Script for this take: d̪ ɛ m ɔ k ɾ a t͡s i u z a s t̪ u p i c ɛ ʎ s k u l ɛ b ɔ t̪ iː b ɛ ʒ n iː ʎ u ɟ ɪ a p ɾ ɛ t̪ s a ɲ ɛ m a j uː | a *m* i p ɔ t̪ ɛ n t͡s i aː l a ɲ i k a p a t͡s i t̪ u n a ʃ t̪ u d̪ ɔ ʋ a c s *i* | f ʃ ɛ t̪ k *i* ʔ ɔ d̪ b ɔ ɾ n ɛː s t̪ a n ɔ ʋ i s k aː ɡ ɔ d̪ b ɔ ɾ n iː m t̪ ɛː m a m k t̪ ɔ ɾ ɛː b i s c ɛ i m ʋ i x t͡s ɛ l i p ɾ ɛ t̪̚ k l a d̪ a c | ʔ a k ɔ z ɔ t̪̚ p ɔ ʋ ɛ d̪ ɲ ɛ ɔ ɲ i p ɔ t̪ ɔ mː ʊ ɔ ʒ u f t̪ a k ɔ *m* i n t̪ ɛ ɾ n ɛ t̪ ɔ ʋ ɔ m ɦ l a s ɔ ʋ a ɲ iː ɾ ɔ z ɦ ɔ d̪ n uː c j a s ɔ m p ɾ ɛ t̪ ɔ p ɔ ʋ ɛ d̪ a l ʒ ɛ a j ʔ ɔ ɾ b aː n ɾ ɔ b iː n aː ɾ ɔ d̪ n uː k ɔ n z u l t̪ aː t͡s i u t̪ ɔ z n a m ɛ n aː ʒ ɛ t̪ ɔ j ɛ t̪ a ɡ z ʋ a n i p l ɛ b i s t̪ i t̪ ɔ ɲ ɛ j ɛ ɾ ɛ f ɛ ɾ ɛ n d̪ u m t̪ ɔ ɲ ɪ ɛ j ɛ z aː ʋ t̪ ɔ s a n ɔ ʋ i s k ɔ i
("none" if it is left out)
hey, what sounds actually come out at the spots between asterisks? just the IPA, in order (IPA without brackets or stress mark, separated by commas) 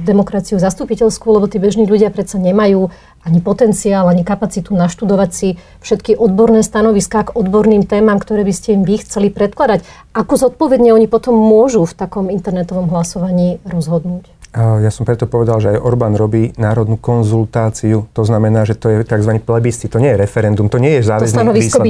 ɲ, i, i, m